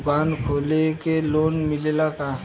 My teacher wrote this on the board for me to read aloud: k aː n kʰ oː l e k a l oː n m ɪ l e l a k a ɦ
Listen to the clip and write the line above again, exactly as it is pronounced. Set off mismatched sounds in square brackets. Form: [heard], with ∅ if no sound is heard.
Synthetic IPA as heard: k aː n kʰ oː l e k [e] l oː n m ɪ l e l a k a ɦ